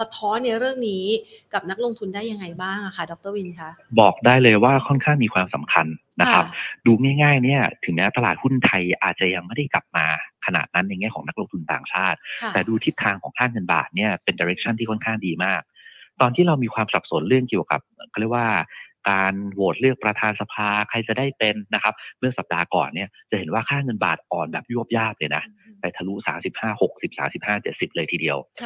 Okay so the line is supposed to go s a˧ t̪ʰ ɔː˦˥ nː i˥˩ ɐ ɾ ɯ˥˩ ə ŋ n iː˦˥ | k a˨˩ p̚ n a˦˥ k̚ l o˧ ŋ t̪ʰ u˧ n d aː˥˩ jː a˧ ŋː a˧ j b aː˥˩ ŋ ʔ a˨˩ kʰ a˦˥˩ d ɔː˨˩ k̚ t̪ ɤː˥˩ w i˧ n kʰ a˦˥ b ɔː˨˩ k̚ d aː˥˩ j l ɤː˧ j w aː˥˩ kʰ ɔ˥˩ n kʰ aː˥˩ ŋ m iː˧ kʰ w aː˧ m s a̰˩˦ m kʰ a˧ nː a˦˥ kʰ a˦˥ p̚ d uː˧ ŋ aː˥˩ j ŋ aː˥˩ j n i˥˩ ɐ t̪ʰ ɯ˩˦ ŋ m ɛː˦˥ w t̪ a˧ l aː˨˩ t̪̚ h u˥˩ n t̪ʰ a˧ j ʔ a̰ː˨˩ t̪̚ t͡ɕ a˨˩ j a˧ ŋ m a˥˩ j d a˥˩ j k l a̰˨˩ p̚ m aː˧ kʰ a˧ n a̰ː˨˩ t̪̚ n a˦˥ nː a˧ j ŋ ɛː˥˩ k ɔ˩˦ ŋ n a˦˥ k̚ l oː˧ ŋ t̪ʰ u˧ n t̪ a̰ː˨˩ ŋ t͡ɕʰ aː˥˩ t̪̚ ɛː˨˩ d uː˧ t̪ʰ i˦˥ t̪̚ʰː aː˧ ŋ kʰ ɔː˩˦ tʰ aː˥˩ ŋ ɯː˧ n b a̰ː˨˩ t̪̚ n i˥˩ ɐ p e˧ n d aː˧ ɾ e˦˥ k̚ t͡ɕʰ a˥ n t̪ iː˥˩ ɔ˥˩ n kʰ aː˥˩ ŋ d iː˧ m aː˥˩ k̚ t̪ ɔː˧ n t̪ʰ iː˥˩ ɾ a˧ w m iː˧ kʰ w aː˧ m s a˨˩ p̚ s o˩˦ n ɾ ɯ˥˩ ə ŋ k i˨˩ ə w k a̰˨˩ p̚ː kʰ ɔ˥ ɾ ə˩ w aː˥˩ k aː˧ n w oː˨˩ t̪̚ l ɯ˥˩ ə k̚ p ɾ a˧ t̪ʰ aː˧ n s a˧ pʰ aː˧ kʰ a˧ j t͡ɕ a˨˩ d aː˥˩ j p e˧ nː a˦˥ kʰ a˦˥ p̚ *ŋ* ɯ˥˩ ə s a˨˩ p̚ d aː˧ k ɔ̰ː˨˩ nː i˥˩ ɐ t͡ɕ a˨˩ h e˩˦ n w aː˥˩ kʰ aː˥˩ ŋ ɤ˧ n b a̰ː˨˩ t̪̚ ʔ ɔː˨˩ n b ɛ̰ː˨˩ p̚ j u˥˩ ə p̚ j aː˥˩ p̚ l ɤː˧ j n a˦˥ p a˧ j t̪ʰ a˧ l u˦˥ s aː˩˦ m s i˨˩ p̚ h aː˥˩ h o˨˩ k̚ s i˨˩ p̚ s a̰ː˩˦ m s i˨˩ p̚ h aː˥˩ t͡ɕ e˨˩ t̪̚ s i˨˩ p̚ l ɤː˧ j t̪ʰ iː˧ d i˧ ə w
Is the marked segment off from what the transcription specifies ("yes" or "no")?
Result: yes